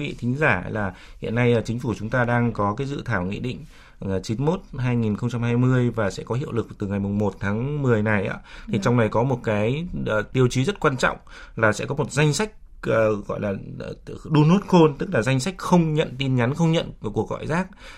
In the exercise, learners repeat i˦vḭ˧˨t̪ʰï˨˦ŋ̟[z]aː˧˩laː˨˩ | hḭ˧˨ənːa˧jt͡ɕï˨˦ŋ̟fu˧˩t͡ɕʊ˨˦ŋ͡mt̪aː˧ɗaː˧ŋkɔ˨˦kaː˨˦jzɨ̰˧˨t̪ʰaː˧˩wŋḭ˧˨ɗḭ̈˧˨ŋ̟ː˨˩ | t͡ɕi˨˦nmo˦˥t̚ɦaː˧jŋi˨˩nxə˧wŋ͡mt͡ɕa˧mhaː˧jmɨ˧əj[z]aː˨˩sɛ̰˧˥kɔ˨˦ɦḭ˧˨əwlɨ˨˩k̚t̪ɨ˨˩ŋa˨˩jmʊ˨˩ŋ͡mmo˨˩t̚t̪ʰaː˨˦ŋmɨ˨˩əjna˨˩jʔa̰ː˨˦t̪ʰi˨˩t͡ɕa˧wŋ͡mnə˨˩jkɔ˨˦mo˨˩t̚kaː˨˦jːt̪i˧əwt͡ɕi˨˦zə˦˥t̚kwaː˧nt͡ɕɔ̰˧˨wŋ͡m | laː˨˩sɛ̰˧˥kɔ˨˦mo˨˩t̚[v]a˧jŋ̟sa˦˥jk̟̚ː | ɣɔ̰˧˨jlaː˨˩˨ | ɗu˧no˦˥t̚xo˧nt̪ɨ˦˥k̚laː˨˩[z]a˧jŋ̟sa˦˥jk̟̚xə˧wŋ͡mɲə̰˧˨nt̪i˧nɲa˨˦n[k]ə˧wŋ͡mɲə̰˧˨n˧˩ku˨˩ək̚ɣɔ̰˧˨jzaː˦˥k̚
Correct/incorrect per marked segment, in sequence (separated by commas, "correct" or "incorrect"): correct, incorrect, incorrect, correct, incorrect